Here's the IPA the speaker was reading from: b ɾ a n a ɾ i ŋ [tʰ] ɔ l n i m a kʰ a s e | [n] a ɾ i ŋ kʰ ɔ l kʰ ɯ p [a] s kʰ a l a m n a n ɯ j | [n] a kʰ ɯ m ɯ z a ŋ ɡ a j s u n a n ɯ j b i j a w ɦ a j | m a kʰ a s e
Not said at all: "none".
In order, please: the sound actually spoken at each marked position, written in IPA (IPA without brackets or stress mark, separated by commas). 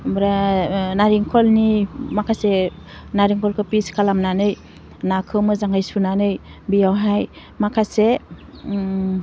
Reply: kʰ, n, i, n